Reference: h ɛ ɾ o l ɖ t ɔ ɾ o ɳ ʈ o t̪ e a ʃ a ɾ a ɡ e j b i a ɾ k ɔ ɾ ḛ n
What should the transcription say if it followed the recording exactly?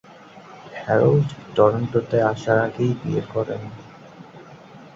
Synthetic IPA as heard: h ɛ ɾ o l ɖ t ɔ ɾ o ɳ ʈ o t̪ e a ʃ a ɾ a ɡ e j b i e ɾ k ɔ ɾ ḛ n